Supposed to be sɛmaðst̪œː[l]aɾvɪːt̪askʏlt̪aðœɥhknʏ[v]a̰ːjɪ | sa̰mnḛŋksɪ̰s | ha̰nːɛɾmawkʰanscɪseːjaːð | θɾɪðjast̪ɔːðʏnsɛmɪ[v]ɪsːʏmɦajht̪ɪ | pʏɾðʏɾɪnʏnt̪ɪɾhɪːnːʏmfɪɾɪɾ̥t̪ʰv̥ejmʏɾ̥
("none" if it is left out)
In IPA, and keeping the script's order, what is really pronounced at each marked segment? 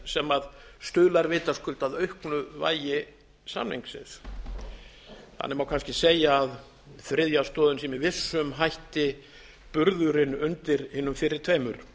l, v, v

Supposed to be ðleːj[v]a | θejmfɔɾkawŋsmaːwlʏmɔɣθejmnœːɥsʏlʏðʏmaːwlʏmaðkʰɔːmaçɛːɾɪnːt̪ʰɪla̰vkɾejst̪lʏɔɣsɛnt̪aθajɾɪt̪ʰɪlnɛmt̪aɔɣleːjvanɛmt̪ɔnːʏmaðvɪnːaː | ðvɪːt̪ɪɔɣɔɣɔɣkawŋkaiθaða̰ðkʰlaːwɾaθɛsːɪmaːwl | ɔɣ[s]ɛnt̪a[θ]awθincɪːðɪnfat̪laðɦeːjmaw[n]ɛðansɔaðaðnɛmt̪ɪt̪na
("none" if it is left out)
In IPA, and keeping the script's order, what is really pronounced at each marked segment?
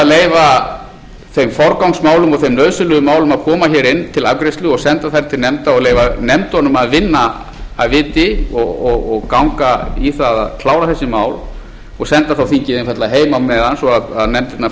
v, s, θ, m

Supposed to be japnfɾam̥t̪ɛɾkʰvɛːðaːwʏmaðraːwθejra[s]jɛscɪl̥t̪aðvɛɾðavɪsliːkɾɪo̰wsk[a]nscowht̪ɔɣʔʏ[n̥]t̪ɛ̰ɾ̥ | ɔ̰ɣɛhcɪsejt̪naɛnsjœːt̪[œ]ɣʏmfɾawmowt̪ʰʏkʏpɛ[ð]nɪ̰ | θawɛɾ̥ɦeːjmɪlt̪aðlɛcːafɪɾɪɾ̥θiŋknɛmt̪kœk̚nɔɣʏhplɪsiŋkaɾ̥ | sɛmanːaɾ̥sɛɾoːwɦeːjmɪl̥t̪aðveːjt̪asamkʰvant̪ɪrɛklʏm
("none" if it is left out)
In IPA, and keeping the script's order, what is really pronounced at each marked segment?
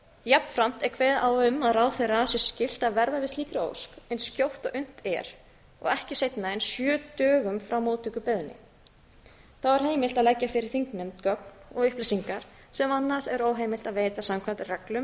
s, ɛ, n̥, œː, ð

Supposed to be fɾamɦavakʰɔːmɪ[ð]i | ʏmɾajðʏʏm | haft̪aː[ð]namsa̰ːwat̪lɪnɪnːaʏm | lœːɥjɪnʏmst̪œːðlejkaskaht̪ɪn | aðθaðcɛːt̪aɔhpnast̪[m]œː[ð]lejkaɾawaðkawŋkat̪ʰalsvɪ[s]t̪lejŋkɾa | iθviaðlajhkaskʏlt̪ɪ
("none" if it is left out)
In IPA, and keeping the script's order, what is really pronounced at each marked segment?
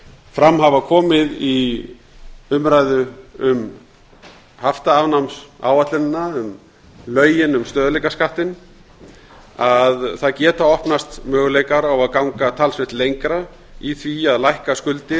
ð, v, m, ɣ, h

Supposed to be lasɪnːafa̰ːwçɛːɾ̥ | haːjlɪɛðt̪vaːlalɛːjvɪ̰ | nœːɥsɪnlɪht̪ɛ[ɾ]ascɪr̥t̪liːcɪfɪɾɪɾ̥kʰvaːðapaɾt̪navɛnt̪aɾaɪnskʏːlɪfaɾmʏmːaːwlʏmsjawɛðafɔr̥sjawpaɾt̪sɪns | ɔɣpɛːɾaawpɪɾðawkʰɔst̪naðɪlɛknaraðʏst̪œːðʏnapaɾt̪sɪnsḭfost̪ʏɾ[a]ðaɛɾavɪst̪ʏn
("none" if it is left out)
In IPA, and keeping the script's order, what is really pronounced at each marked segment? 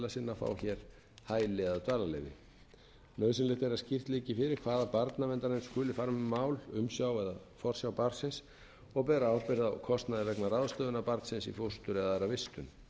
ɾ, ɛ

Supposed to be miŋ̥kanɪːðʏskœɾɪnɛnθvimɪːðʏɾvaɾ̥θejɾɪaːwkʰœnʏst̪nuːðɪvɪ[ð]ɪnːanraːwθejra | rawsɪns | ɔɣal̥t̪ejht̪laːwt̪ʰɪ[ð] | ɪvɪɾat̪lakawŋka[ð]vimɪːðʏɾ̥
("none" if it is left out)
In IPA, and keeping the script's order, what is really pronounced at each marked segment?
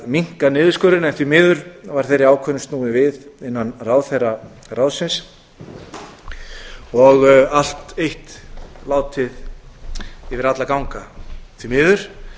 ð, ð, θ

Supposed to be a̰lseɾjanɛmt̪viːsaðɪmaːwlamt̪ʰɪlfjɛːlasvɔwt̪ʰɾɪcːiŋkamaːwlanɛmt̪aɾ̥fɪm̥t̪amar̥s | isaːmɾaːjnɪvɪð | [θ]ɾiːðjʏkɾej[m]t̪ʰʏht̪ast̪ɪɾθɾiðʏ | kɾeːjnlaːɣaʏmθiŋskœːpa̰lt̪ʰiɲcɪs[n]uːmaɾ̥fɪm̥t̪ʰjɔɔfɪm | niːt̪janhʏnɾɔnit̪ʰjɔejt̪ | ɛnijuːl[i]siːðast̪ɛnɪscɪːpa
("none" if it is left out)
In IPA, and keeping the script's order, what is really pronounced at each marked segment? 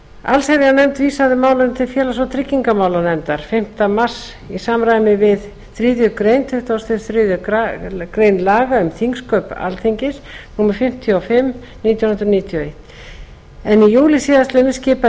θ, n, n, ɪ

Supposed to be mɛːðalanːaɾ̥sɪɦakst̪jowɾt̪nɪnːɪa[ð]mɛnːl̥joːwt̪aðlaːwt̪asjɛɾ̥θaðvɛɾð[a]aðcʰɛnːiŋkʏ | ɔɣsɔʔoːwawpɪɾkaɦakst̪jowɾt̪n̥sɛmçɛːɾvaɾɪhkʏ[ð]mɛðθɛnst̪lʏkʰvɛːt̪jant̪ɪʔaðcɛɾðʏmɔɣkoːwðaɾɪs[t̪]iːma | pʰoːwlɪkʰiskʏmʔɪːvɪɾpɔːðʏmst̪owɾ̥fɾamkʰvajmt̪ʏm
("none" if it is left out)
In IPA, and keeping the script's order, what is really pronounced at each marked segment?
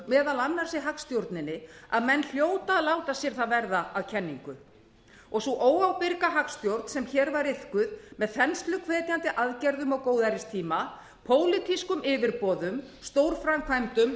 ð, a, ð, t̪ʰ

